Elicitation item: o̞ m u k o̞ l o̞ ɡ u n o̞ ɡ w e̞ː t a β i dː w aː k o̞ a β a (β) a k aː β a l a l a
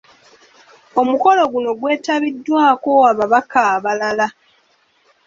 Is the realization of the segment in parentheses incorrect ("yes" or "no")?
no